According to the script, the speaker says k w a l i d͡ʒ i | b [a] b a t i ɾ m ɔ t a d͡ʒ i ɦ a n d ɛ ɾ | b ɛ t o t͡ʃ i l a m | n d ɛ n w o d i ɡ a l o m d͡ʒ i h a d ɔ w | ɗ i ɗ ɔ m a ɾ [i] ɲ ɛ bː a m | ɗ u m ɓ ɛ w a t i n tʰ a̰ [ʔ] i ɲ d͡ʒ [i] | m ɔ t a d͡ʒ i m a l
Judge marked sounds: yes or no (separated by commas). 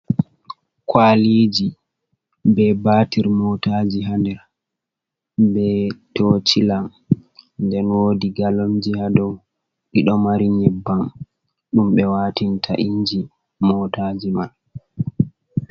no, yes, yes, yes